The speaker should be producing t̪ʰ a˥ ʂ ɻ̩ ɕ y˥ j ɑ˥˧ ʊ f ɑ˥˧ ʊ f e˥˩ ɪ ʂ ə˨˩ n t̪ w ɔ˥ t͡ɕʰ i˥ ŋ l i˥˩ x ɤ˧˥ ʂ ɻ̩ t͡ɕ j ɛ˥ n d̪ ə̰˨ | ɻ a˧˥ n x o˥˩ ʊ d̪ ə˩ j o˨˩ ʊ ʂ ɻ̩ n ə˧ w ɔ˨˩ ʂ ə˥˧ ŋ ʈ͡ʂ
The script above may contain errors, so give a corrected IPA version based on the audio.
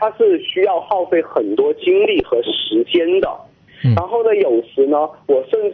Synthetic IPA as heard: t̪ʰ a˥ ʂ ɻ̩ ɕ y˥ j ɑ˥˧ ʊ x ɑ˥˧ ʊ f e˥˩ ɪ x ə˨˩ n t̪ w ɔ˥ t͡ɕ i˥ ŋ l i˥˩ x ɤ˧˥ ʂ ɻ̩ t͡ɕ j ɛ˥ n d̪ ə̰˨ | ɻ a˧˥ n x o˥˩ ʊ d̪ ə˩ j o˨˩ ʊ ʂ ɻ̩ n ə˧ w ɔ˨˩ ʂ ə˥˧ n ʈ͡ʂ